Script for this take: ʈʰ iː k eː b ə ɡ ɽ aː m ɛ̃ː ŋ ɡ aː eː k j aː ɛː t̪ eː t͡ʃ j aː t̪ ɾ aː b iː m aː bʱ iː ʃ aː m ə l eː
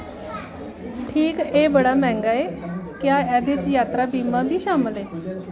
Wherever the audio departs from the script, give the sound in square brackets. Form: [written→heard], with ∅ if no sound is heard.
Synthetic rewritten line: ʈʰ iː k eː b ə [ɡ→∅] ɽ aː m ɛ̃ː ŋ ɡ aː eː k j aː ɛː [t̪→d̪] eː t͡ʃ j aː t̪ ɾ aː b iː m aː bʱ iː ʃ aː m ə l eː